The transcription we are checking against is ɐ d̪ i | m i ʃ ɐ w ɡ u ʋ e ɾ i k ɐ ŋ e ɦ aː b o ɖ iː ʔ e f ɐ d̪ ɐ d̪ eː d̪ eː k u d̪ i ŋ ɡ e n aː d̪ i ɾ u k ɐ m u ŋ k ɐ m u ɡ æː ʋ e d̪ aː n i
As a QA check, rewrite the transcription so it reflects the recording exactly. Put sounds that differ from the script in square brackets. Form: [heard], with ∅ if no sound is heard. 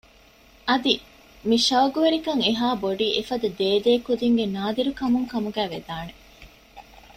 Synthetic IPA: ɐ d̪ i | m i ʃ ɐ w ɡ u ʋ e ɾ i k ɐ ŋ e ɦ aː b o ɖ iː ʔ e f ɐ d̪ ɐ d̪ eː d̪ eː k u d̪ i ŋ ɡ e n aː d̪ i ɾ u k ɐ m u ŋ k ɐ m u ɡ æː ʋ e d̪ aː n [e]